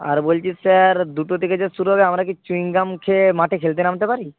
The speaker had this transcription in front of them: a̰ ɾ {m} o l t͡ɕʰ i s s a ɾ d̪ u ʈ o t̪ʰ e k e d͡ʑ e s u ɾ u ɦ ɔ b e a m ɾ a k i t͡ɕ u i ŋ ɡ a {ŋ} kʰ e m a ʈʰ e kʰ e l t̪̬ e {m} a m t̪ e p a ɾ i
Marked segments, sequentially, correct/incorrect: incorrect: b, incorrect: m, incorrect: n

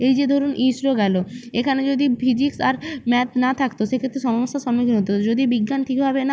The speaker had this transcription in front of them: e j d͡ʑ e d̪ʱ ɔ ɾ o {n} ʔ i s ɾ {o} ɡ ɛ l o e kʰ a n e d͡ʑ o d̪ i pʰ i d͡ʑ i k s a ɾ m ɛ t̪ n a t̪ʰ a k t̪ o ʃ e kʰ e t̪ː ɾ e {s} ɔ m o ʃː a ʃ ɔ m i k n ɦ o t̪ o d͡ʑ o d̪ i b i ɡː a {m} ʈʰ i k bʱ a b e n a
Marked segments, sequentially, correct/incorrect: correct, correct, incorrect: ʃ, incorrect: n

